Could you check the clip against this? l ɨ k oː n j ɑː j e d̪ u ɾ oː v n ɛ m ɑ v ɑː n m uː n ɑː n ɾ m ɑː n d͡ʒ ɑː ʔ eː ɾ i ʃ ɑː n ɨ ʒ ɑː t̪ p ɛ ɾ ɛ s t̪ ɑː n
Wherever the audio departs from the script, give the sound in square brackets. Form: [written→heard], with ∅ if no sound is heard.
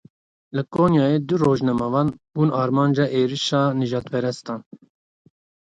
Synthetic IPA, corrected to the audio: l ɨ k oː n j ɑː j e d̪ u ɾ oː [v→ʒ] n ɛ m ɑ v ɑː n [m→b] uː n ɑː [n→∅] ɾ m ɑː n d͡ʒ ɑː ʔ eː ɾ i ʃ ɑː n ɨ ʒ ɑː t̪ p ɛ ɾ ɛ s t̪ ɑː n